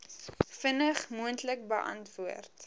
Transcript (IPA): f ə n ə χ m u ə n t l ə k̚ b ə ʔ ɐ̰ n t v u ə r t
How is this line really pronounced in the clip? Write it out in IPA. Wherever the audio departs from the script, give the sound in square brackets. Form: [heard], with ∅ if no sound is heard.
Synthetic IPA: f ə n ə χ m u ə n t l ə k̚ b ə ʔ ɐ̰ n t v u ə r t

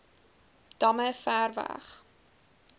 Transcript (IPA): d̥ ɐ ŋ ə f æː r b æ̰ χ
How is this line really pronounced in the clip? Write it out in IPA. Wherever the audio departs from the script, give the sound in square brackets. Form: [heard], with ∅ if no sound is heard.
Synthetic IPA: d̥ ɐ [m] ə f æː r [v] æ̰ χ

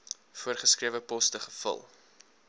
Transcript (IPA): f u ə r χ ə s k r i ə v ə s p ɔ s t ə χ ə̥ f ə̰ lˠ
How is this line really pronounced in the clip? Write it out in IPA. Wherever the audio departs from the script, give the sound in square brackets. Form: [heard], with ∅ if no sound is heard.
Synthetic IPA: f u ə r χ ə s k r i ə v ə [∅] p ɔ s t ə χ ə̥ f ə̰ lˠ

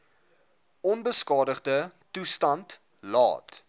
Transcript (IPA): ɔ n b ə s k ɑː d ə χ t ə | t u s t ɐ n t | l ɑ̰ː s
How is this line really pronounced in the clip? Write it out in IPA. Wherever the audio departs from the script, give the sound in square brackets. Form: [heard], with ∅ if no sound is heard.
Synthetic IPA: ɔ n b ə s k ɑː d ə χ [d] ə | t u s t ɐ n t | l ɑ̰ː [t]

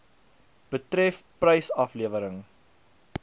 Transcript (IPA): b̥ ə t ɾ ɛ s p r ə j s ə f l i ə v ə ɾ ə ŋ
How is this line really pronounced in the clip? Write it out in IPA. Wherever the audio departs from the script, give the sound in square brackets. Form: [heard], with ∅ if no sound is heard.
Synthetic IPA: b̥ ə t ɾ ɛ [f] p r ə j s [ɐ] f l i ə v ə ɾ ə ŋ

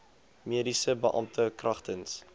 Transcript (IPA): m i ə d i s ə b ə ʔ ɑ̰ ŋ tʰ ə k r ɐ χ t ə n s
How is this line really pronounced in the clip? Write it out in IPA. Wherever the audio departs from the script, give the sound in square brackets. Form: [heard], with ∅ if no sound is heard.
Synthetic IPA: m i ə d i s ə b ə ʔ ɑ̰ [m] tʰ ə k r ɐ χ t ə n s

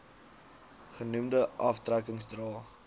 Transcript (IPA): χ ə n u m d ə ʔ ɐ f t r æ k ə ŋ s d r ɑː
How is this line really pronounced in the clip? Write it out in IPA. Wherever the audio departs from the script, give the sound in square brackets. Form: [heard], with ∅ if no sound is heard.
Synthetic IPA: χ ə n u m d ə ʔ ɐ f t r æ k ə ŋ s d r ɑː

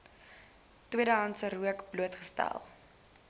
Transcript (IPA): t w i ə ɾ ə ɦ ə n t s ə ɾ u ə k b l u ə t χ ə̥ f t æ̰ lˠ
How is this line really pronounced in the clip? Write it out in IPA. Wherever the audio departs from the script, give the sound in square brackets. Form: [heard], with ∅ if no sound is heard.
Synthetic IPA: t w i ə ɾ ə ɦ [ɐ] n t s ə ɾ u ə k b l u ə t χ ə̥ [s] t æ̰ lˠ

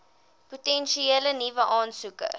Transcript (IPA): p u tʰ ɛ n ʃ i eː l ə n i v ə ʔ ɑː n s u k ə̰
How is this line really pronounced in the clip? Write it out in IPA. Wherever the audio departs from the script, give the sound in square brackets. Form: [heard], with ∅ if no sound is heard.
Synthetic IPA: p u [t] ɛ n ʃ i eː l ə n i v ə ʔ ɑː n s u k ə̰

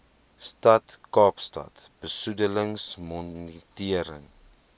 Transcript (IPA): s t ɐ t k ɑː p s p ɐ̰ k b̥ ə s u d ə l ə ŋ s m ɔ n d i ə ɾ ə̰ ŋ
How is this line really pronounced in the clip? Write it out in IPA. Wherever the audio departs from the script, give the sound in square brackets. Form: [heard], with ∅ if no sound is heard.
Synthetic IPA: s t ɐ t k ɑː p s [t] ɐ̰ [t] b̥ ə s u d ə l ə ŋ s m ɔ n [t] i ə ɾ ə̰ ŋ

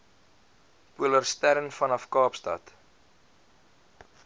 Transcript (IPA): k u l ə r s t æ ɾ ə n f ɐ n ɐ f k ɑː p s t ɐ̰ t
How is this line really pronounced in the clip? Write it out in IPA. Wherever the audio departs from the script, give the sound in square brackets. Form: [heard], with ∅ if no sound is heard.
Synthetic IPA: [p] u l ə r s t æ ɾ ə n f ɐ n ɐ f k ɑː p s t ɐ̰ t

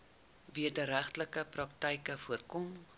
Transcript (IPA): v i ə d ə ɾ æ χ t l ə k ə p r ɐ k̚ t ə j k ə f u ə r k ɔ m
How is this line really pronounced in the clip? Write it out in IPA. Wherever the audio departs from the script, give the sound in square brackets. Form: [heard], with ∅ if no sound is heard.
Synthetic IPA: v i ə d ə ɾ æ χ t l ə k ə p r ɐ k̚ t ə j k ə f u ə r k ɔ m

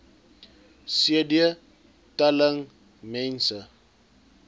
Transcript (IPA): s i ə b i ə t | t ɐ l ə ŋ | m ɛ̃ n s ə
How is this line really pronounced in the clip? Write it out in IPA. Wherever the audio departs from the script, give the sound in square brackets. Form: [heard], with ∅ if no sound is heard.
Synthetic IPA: s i ə [d] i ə [∅] | t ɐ l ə ŋ | m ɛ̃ n s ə

